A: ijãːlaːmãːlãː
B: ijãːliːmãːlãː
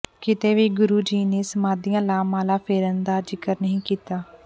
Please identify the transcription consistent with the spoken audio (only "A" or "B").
A